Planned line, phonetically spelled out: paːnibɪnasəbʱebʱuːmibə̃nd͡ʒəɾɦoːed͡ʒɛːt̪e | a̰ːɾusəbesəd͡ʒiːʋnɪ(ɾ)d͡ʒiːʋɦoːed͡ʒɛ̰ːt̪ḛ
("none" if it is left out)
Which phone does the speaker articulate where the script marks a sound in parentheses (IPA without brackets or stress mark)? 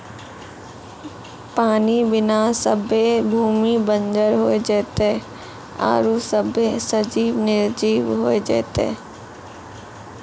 ɾ